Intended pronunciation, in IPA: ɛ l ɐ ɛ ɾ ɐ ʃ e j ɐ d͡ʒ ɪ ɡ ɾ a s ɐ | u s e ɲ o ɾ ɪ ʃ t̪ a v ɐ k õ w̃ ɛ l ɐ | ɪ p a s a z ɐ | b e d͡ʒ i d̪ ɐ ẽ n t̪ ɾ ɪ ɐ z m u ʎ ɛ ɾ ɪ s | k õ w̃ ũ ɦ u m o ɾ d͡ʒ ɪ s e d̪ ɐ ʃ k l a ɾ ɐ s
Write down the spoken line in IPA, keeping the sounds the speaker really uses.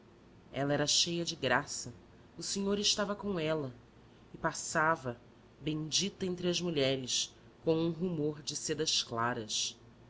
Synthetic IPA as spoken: ɛ l ɐ ɛ ɾ ɐ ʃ e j ɐ d͡ʒ ɪ ɡ ɾ a s ɐ | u s e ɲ o ɾ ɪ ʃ t̪ a v ɐ k õ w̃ ɛ l ɐ | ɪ p a s a v ɐ | b ẽ d͡ʒ i t̪ ɐ ẽ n t̪ ɾ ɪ ɐ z m u ʎ ɛ ɾ ɪ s | k õ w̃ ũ ɦ u m o ɾ d͡ʒ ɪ s e d̪ ɐ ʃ k l a ɾ ɐ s

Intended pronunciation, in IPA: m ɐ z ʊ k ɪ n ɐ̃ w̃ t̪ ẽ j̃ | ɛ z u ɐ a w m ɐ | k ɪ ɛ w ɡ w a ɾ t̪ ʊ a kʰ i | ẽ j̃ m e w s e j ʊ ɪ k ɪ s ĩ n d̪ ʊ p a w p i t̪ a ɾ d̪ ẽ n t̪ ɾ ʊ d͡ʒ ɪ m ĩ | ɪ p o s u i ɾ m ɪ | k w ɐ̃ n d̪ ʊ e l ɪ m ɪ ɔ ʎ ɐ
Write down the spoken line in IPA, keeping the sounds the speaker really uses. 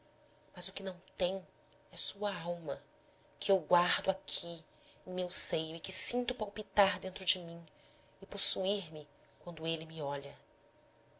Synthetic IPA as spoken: m ɐ z ʊ k ɪ n ɐ̃ w̃ t̪ ẽ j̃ | ɛ s u ɐ a w m ɐ | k ɪ e w ɡ w a ɾ d̪ ʊ a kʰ i | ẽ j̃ m e w s e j ʊ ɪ k ɪ s ĩ n t̪ ʊ p a w p i t̪ a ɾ d̪ ẽ n t̪ ɾ ʊ d͡ʒ ɪ m ĩ | ɪ p o s u i ɾ m ɪ | k w ɐ̃ n d̪ ʊ e l ɪ m ɪ ɔ ʎ ɐ

